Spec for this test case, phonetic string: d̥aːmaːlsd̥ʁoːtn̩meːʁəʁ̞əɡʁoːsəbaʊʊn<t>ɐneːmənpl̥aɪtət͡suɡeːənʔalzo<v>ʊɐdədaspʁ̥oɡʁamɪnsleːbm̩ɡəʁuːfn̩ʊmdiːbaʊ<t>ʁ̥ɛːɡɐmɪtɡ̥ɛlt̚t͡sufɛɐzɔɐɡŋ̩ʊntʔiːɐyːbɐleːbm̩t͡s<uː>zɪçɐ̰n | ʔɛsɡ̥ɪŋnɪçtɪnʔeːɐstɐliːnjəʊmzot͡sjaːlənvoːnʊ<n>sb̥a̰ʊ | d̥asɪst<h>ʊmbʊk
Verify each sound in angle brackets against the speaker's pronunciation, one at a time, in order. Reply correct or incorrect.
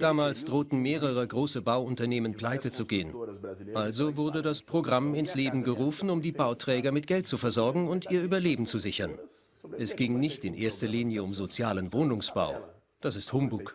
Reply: correct, correct, correct, incorrect, incorrect, correct

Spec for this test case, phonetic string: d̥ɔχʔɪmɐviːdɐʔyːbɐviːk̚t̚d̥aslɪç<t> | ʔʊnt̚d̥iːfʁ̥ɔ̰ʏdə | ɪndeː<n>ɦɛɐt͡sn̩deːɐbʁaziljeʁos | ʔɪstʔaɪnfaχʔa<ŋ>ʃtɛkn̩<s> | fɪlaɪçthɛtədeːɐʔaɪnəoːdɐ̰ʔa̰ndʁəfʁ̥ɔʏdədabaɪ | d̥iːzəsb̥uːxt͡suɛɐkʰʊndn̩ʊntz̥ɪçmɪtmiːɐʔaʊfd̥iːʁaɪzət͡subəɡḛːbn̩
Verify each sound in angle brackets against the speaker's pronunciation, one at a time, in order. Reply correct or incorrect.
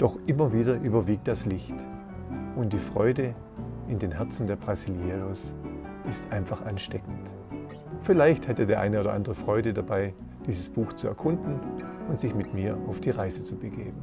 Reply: correct, correct, incorrect, incorrect

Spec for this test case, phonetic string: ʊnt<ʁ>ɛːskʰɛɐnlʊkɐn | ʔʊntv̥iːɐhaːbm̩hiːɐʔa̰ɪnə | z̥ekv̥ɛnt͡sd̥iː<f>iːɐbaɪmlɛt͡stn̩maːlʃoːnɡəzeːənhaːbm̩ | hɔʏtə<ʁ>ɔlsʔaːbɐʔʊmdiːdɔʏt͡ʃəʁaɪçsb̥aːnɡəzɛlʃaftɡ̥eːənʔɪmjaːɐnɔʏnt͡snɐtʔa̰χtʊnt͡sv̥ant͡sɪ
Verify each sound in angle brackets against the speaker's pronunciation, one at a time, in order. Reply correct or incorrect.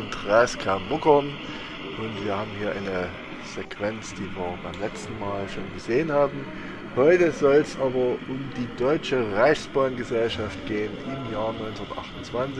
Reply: correct, incorrect, incorrect

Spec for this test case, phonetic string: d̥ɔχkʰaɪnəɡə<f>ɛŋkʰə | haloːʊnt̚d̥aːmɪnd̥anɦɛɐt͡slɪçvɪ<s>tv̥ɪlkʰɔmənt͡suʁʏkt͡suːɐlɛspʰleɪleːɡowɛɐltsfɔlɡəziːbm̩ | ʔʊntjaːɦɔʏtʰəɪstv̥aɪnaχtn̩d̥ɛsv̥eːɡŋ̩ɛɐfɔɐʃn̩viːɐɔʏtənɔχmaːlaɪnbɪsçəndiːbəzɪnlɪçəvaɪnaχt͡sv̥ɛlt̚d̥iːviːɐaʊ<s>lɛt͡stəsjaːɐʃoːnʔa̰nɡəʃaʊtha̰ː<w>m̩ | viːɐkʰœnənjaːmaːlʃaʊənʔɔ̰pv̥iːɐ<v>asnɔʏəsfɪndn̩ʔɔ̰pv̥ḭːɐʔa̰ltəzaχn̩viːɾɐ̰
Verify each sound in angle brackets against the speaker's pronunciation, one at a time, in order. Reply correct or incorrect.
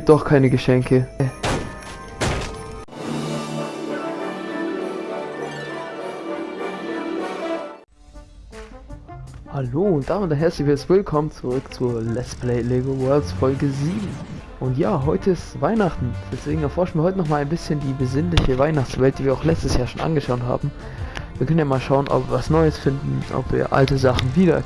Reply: incorrect, correct, incorrect, incorrect, correct

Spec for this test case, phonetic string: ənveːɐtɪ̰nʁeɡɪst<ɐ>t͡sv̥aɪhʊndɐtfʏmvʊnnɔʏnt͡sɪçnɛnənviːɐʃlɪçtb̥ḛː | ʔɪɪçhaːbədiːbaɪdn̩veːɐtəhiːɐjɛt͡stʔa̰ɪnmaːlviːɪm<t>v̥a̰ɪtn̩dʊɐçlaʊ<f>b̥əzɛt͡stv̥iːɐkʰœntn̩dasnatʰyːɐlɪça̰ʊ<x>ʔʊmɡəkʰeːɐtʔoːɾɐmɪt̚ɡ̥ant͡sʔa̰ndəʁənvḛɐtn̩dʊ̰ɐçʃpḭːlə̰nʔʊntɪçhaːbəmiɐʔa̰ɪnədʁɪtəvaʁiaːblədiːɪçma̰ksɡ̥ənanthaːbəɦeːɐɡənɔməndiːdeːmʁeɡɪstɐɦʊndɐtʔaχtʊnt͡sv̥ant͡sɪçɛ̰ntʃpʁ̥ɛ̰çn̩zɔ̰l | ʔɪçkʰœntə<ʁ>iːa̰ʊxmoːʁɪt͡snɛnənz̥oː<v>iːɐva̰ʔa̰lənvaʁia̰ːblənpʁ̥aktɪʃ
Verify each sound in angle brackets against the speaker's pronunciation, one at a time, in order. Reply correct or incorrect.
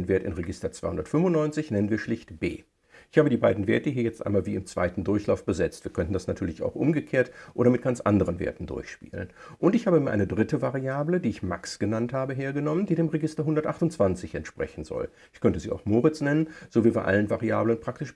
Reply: correct, incorrect, correct, correct, incorrect, correct

